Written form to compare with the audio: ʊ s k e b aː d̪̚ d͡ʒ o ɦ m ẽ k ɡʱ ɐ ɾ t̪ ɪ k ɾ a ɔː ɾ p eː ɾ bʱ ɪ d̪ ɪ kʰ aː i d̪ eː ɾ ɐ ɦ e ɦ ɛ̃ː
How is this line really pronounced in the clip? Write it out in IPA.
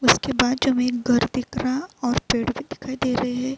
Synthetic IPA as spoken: ʊ s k e b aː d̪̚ d͡ʒ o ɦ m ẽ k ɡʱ ɐ ɾ d̪ ɪ k ɾ a ɔː ɾ p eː ɽ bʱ i d̪ ɪ kʰ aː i d̪ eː ɾ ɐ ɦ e ɦ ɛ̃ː